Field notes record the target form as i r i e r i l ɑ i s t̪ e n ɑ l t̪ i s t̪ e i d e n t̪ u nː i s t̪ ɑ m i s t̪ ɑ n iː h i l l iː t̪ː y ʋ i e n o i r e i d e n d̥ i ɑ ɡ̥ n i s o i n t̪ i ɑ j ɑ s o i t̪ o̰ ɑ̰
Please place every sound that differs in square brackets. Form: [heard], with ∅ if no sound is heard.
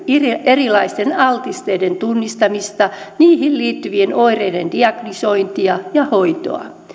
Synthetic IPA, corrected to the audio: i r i e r i l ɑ i s t̪ e n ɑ l t̪ i s t̪ e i d e n t̪ u nː i s t̪ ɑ m i s t̪ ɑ n iː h i l l iː t̪ː y ʋ i e n o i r e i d e n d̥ i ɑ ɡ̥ n i s o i n t̪ i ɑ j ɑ [h] o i t̪ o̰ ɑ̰